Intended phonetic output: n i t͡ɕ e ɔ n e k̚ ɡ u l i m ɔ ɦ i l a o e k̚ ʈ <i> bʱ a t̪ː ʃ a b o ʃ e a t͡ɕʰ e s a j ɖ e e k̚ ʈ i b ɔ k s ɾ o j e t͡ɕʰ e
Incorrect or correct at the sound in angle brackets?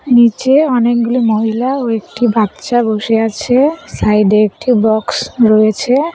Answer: correct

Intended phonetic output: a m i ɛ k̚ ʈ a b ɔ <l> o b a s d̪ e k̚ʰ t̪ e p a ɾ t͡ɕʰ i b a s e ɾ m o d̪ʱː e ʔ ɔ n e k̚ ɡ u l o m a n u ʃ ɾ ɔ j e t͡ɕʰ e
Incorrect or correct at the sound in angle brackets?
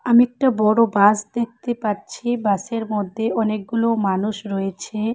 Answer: incorrect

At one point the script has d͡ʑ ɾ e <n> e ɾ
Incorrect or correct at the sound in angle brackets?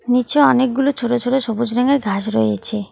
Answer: incorrect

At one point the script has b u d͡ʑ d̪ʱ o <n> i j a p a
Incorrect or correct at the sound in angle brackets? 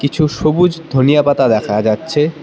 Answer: correct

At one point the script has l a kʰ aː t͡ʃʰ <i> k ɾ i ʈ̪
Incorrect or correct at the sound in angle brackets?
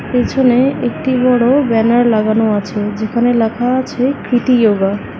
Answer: incorrect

